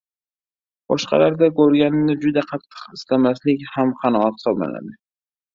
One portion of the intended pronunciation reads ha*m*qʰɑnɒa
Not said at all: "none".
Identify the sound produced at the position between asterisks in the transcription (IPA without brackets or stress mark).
m